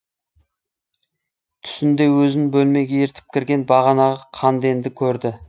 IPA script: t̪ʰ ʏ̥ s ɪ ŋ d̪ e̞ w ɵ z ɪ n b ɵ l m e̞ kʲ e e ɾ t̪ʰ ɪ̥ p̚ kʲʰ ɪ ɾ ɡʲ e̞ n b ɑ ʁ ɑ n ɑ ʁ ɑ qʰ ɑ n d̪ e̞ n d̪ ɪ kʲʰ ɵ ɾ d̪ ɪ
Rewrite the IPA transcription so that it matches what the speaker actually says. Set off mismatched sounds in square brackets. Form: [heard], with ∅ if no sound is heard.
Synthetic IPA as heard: t̪ʰ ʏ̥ s ɪ [n] d̪ e̞ w ɵ z ɪ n b ɵ l m e̞ [ɡʲ] e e ɾ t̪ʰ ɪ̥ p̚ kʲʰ ɪ ɾ ɡʲ e̞ n b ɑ ʁ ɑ n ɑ ʁ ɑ qʰ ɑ n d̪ e̞ n d̪ ɪ kʲʰ ɵ ɾ d̪ ɪ